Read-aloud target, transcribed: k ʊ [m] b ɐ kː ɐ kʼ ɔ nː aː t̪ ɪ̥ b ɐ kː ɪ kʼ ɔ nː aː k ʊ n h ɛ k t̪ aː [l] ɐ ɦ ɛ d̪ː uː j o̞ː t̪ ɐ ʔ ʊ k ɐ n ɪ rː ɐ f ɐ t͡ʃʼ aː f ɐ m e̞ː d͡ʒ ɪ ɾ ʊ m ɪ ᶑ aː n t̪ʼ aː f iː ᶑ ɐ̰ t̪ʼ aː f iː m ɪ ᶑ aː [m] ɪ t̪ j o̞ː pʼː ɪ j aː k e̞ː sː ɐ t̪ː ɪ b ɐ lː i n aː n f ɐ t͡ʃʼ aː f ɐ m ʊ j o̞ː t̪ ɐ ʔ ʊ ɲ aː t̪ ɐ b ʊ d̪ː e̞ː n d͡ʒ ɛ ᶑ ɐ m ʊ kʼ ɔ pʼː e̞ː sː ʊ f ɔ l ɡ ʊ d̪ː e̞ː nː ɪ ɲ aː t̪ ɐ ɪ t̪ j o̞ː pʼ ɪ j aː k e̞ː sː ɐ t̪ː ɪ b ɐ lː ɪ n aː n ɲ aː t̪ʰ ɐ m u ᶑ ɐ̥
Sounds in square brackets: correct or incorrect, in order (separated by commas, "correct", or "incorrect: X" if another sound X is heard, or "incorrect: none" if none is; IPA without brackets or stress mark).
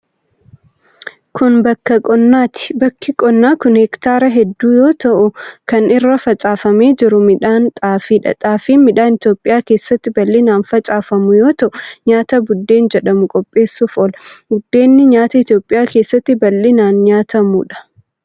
incorrect: n, incorrect: ɾ, incorrect: n